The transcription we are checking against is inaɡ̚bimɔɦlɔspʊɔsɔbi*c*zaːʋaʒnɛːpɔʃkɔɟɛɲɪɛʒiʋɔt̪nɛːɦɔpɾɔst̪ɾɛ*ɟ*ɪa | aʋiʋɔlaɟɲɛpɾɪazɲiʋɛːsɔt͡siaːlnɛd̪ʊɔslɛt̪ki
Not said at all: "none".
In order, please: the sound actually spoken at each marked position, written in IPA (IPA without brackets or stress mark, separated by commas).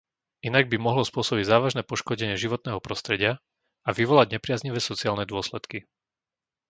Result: ɟ, ɟ